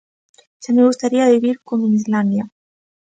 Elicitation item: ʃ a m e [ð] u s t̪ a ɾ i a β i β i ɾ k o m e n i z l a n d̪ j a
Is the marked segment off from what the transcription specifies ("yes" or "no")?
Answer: yes